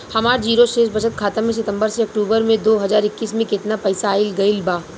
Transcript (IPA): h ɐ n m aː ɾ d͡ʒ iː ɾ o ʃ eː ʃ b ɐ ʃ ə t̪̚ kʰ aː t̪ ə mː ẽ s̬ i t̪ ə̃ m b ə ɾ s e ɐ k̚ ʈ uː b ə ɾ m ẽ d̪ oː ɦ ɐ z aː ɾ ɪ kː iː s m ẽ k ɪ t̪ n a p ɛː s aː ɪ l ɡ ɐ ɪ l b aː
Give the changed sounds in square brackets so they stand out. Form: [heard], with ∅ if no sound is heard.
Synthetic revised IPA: h ɐ [∅] m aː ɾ d͡ʒ iː ɾ o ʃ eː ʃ b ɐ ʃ ə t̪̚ kʰ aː t̪ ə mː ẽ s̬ [ɪ] t̪ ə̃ m b ə ɾ s e ɐ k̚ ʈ uː b ə ɾ m ẽ d̪ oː ɦ ɐ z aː ɾ ɪ kː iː s m ẽ k ɪ t̪ n a p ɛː s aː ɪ l ɡ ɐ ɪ l b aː